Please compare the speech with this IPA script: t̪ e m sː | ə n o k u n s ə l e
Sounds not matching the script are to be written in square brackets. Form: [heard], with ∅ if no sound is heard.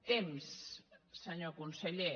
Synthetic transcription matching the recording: t̪ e m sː | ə [ɲ] o k u n s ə [ʎ] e